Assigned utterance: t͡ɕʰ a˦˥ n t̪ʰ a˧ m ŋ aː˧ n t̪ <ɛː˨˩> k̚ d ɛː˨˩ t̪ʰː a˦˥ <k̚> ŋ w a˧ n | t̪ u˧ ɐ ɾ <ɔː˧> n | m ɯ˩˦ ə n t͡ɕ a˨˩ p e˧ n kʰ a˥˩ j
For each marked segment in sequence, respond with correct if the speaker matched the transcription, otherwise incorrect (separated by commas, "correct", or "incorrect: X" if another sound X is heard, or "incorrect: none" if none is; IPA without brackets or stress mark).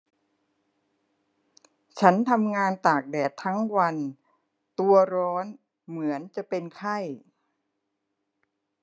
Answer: incorrect: aː˨˩, incorrect: none, incorrect: ɔː˦˥